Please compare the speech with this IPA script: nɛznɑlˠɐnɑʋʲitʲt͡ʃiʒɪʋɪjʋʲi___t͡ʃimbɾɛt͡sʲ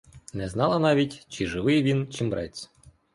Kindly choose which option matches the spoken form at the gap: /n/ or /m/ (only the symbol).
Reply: n